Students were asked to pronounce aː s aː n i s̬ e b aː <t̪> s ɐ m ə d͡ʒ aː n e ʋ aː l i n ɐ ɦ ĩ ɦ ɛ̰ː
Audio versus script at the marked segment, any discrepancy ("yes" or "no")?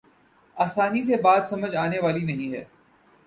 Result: yes